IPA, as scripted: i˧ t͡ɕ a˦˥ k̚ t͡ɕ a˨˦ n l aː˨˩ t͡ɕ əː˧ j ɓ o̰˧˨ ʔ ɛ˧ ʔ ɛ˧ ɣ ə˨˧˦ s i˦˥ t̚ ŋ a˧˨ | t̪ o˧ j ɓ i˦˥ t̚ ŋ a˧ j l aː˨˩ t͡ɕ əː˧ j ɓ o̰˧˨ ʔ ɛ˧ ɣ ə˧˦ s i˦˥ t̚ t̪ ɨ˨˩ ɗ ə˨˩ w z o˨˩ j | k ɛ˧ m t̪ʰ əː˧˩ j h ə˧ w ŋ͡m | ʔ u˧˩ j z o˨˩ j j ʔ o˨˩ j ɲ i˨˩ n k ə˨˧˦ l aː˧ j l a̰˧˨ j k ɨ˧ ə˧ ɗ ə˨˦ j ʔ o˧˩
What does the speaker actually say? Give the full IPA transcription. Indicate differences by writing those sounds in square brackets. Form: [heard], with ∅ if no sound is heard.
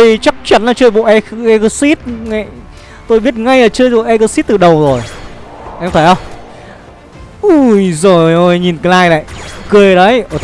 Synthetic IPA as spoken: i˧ t͡ɕ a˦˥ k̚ t͡ɕ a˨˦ n l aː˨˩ t͡ɕ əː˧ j ɓ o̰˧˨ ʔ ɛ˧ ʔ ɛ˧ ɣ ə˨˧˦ s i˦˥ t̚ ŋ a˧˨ | t̪ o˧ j ɓ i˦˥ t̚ ŋ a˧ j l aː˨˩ t͡ɕ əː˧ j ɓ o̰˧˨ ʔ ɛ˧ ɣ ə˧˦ s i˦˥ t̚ t̪ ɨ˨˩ ɗ ə˨˩ w z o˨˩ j | [ʔ] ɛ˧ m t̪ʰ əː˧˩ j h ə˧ w ŋ͡m | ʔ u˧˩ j z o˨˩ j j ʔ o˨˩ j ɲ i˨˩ n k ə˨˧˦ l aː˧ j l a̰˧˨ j k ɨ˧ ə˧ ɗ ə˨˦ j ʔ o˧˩